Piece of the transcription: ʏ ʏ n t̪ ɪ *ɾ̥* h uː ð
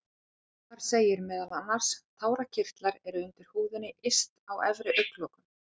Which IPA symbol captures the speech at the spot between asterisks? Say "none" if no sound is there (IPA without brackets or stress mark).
ɾ̥